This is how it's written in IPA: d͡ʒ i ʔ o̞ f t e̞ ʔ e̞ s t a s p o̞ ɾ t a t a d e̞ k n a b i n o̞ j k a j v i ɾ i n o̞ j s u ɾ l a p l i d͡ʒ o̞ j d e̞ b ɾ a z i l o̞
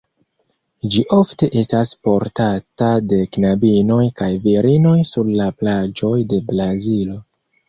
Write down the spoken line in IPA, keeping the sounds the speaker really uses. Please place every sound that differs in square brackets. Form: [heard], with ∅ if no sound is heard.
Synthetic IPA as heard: d͡ʒ i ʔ o̞ f t e̞ ʔ e̞ s t a s p o̞ ɾ t a t a d e̞ k n a b i n o̞ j k a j v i ɾ i n o̞ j s u ɾ l a p l [a] d͡ʒ o̞ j d e̞ b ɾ a z i l o̞